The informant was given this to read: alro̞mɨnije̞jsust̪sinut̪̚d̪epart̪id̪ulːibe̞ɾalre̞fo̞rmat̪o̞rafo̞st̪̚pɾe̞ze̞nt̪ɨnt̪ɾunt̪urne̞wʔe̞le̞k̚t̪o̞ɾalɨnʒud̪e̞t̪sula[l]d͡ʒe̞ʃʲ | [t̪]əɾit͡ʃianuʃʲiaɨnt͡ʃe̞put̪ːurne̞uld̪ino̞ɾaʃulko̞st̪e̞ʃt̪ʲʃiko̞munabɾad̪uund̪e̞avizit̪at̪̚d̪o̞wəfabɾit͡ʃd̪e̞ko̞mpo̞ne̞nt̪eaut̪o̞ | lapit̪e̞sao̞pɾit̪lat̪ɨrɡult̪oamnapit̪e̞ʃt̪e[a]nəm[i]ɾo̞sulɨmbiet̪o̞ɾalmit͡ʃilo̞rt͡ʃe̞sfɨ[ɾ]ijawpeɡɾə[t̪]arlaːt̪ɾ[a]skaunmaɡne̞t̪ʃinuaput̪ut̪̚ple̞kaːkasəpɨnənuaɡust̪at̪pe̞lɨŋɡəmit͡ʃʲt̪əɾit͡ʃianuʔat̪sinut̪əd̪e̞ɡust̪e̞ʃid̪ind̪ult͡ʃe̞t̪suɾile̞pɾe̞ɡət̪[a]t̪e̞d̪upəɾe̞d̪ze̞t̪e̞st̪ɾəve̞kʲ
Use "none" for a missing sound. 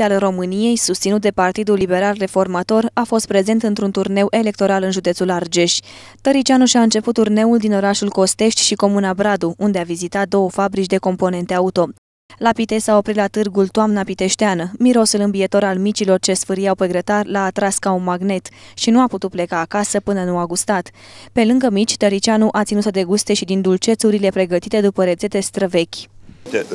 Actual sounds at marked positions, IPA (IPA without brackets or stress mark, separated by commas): r, t̪, a, i, ɾ, t̪, a, i